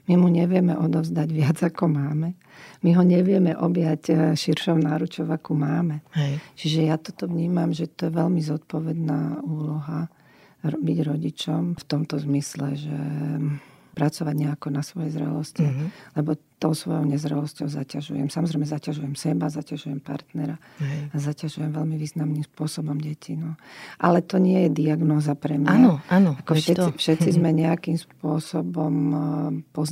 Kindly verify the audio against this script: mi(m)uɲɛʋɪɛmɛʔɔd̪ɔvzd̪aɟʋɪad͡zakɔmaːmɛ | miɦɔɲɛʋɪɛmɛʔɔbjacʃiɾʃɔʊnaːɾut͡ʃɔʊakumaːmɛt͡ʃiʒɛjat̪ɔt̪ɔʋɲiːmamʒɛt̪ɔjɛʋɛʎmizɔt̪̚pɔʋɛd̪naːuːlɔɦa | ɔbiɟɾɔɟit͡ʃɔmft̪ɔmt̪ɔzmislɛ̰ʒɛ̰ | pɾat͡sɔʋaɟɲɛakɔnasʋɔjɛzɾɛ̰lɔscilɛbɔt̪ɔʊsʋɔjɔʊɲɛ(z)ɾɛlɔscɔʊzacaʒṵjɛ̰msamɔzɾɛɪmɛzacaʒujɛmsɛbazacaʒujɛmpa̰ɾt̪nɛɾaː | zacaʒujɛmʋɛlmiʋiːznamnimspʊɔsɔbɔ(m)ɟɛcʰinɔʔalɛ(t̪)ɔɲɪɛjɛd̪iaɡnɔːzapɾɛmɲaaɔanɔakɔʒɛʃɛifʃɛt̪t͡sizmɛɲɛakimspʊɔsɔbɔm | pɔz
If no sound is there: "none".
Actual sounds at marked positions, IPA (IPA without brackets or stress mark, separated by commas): m, z, m, t̪